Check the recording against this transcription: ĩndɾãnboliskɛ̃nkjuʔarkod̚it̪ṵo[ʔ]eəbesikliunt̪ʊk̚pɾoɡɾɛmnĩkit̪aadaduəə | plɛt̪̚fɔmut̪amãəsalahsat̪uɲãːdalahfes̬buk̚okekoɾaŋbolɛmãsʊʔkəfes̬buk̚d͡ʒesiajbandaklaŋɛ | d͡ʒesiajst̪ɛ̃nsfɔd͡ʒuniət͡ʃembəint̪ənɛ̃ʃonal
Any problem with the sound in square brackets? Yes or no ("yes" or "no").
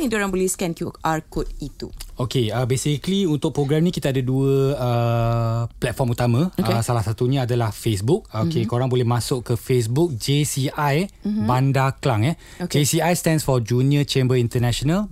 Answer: yes